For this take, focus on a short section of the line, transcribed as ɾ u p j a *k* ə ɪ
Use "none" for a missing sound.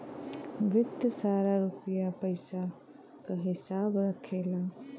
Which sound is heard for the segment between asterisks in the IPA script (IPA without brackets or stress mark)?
p